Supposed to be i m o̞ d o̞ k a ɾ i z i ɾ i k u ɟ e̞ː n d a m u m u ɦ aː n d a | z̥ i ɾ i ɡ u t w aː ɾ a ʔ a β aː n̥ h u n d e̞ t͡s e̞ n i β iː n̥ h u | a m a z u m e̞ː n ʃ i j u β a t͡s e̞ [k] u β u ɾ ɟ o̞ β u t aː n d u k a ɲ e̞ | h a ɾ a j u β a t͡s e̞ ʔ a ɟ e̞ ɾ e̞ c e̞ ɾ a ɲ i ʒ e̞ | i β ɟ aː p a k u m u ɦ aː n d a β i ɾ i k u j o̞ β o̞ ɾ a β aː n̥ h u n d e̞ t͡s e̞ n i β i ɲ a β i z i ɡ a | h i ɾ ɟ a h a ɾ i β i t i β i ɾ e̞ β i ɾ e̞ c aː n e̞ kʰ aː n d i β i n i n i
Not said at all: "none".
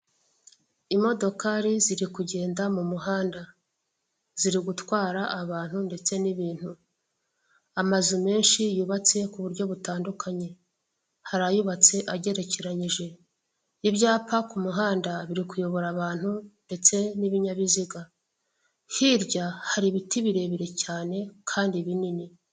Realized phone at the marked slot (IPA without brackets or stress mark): k